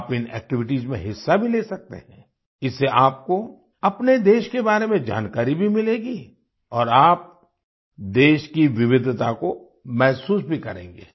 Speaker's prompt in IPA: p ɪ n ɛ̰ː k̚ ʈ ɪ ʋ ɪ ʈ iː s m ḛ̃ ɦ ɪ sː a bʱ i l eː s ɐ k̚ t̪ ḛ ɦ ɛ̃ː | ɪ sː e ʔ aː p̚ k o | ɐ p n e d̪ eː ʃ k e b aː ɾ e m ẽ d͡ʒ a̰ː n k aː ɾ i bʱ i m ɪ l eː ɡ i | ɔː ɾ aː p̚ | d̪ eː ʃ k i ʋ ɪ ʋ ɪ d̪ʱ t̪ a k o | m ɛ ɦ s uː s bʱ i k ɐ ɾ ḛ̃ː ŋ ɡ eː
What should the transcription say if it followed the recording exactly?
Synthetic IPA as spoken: p ɪ n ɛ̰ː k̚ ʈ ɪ ʋ ɪ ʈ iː z m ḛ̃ ɦ ɪ sː a bʱ i l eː s ɐ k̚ t̪ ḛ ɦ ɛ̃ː | ɪ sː e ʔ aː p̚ k o | ɐ p n e d̪ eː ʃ k e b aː ɾ e m ẽ d͡ʒ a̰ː n k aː ɾ i bʱ i m ɪ l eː ɡ i | ɔː ɾ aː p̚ | d̪ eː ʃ k i ʋ ɪ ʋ ɪ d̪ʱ t̪ a k o | m ɛ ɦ s uː s bʱ i k ɐ ɾ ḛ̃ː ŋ ɡ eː